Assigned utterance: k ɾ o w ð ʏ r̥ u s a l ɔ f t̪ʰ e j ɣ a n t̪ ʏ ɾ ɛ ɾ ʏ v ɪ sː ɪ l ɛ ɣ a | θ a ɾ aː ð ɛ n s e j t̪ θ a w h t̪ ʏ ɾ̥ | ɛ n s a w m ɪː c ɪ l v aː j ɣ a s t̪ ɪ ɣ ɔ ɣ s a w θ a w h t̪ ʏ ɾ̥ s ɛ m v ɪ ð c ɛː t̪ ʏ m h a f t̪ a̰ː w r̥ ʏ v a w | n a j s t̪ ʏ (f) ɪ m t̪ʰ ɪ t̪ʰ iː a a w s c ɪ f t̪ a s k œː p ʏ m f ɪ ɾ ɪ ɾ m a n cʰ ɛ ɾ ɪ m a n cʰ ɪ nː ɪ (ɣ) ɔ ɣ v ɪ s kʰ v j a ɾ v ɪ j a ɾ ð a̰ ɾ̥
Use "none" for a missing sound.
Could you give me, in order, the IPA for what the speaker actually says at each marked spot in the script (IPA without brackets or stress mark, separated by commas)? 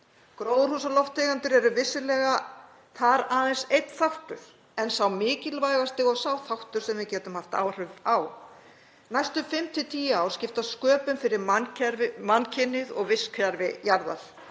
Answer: f, ð